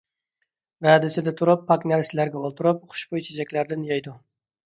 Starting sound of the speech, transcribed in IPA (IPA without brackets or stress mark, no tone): v